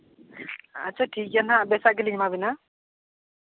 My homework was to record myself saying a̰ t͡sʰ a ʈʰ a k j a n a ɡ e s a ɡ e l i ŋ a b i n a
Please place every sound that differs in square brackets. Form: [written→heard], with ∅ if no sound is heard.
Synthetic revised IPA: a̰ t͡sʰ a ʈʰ [a→i] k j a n a [ɡ→b] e s a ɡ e l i [ŋ→m] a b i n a